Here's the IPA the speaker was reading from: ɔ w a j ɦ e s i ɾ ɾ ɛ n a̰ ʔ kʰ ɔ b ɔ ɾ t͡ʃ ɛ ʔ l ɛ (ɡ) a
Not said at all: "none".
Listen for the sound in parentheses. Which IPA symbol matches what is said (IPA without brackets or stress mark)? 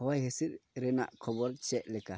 k